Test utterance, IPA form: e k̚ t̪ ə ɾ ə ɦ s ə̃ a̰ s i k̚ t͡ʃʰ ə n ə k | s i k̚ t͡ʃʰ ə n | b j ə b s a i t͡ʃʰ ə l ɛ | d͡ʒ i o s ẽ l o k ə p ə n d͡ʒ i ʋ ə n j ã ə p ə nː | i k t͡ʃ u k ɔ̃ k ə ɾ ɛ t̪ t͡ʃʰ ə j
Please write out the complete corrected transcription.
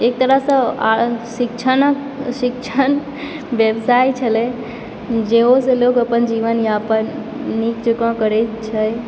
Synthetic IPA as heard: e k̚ t̪ ə ɾ ə ɦ s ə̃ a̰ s i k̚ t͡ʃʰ ə n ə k | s i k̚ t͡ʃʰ ə n | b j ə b s a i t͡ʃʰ ə l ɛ | d͡ʒ e o s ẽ l o k ə p ə n d͡ʒ i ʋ ə n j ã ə p ə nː | i k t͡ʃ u k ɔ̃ k ə ɾ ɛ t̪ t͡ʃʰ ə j